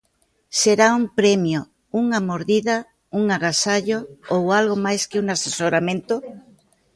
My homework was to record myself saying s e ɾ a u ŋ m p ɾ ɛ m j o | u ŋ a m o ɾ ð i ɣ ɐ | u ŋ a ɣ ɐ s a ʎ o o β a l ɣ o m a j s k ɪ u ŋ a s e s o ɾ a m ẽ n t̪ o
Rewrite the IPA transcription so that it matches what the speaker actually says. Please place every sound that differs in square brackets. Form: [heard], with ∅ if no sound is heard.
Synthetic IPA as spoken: s e ɾ a u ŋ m p ɾ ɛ m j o | u ŋ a m o ɾ ð i [ð] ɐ | u ŋ a ɣ [a] s a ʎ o o [w] a l ɣ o m a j s k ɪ u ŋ a s e s o ɾ a m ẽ n t̪ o